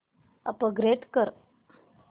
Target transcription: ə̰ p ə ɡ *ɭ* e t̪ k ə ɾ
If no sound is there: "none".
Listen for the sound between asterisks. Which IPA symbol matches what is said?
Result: ɾ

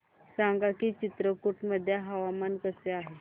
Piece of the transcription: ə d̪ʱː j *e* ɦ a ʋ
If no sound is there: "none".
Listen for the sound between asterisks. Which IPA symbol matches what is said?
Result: a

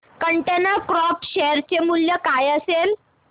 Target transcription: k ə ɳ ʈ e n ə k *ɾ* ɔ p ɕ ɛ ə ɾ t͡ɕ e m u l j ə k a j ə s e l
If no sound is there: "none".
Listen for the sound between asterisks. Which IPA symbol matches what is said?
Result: ɾ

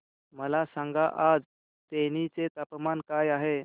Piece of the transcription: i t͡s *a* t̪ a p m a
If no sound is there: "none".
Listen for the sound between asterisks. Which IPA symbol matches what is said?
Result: e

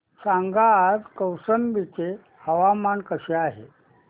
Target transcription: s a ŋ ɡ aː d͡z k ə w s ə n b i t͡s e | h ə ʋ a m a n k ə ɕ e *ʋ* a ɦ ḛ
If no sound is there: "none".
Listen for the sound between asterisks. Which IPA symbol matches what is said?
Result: none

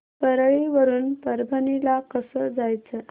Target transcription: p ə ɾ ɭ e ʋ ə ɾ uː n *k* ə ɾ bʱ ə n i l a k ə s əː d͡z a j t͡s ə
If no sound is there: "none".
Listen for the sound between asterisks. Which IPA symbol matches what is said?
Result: p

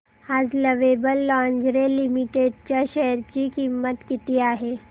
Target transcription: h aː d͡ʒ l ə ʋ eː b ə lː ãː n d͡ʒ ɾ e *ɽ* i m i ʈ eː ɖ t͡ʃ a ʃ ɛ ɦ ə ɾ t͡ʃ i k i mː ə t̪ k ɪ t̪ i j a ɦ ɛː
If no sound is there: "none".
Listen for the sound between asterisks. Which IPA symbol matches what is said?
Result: l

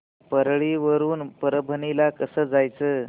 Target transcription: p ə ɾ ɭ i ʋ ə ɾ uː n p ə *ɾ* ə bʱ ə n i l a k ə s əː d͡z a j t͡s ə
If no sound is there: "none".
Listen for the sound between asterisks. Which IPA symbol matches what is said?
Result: ɾ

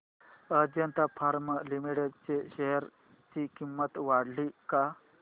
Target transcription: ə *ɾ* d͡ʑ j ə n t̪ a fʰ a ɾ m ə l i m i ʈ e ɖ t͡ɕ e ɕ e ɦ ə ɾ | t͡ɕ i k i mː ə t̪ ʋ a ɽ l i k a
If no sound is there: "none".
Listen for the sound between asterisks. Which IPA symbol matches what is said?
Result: none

